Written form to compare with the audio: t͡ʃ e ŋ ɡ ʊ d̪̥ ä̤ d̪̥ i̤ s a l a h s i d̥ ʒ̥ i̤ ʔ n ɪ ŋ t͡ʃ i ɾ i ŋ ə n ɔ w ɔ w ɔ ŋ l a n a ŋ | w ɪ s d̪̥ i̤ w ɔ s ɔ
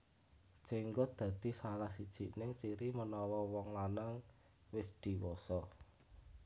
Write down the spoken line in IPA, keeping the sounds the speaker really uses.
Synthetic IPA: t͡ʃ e ŋ ɡ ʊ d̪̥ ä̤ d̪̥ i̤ s a l a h s i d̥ ʒ̥ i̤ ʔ n ɪ ŋ t͡ʃ i ɾ i m ə n ɔ w ɔ w ɔ ŋ l a n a ŋ | w ɪ s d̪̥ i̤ w ɔ s ɔ